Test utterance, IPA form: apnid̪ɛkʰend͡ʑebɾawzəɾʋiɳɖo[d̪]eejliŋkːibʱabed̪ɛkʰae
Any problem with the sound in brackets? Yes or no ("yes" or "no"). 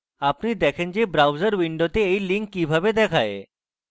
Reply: yes